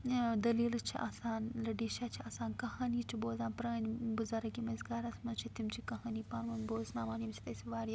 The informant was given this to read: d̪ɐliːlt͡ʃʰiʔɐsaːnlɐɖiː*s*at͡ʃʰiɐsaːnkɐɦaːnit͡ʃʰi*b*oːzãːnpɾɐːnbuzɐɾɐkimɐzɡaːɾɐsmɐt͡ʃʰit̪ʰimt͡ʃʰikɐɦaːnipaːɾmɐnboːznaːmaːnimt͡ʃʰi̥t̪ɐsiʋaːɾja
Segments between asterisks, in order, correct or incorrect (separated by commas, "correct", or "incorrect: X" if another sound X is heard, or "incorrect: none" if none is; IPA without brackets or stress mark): incorrect: ʃ, correct